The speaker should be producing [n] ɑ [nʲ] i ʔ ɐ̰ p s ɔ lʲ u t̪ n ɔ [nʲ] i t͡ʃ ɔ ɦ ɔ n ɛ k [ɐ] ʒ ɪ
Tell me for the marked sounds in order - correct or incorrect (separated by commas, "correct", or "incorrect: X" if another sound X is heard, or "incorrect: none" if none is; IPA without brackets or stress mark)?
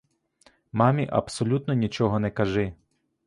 incorrect: m, incorrect: mʲ, correct, correct